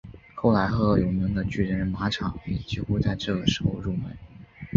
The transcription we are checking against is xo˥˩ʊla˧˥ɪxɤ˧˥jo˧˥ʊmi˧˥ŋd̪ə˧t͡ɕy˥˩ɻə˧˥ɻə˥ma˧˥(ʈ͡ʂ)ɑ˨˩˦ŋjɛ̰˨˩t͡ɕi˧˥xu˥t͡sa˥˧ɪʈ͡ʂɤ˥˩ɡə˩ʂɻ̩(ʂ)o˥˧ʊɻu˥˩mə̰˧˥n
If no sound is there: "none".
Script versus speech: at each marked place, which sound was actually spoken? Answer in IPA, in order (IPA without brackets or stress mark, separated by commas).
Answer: ʈ͡ʂʰ, x